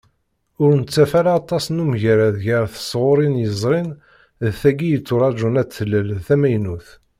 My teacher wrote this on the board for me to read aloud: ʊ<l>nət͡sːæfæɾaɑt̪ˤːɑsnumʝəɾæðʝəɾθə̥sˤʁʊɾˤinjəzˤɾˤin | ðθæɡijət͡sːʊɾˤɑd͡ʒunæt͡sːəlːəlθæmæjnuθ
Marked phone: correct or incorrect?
incorrect